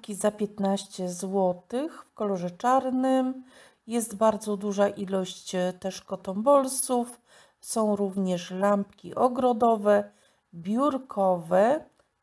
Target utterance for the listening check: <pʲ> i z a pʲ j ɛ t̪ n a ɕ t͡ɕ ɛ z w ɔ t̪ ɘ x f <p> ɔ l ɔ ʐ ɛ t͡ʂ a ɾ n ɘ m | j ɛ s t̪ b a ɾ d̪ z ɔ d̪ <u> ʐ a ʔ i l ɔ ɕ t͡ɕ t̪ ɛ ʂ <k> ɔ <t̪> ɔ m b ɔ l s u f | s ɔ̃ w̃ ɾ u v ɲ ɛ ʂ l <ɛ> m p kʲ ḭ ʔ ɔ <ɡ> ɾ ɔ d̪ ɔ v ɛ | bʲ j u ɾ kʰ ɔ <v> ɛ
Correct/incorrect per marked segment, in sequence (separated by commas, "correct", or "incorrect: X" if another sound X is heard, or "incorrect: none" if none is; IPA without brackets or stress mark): incorrect: kʲ, incorrect: k, correct, correct, correct, incorrect: a, correct, correct